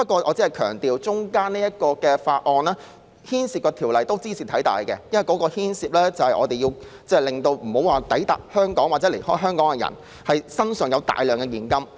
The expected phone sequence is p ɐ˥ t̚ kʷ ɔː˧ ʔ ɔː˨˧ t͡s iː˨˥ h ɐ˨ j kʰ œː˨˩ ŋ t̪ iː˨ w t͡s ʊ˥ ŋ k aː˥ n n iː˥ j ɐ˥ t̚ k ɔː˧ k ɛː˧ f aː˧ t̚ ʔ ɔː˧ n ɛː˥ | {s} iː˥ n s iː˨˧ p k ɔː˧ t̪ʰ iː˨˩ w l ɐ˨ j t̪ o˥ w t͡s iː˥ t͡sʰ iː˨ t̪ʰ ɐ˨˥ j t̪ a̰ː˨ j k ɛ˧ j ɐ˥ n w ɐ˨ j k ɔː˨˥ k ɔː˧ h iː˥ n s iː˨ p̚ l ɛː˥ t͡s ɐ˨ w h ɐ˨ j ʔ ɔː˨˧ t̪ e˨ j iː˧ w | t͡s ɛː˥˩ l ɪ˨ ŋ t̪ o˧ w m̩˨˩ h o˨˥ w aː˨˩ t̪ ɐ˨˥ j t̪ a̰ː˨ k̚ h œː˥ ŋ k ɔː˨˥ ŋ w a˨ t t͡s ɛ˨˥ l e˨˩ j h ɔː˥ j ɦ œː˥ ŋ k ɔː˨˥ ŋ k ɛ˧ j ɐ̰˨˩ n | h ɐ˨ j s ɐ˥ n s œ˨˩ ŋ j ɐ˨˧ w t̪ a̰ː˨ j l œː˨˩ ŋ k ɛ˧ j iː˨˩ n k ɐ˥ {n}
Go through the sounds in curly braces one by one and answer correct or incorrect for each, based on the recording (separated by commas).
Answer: incorrect, incorrect